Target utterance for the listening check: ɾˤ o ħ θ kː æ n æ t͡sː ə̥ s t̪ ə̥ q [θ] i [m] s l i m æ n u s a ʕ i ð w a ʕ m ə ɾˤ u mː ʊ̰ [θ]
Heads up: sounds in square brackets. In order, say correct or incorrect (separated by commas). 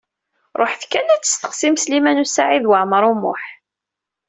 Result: incorrect, correct, incorrect